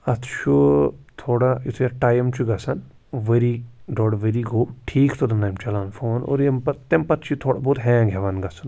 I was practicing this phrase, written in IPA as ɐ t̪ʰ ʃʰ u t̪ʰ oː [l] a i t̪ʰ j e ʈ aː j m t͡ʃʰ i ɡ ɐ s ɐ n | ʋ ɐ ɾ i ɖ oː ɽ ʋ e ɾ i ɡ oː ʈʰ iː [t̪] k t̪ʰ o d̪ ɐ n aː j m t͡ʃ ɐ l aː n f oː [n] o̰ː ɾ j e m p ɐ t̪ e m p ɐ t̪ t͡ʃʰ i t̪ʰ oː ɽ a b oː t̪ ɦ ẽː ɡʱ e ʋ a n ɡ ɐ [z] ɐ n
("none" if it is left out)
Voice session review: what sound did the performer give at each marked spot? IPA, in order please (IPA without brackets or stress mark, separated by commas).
ɽ, none, n, s